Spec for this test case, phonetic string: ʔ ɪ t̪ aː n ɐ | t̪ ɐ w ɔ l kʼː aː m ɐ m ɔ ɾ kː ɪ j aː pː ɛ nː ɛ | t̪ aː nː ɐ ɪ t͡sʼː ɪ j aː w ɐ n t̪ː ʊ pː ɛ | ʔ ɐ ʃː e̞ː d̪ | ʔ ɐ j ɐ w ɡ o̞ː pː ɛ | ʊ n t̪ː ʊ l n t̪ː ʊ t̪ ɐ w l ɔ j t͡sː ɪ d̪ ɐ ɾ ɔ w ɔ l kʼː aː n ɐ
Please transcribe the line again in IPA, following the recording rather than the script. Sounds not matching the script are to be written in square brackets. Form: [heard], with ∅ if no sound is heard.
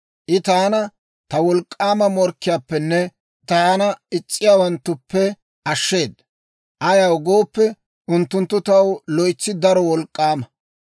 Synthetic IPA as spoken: ʔ ɪ t̪ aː n ɐ | t̪ ɐ w ɔ l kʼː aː m ɐ m ɔ ɾ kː ɪ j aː pː ɛ nː ɛ | t̪ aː [n] ɐ ɪ t͡sʼː ɪ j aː w ɐ n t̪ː ʊ pː ɛ | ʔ ɐ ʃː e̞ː d̪ | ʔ ɐ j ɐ w ɡ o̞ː pː ɛ | ʊ n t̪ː ʊ [∅] n t̪ː ʊ t̪ ɐ w l ɔ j t͡sː ɪ d̪ ɐ ɾ ɔ w ɔ l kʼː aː [m] ɐ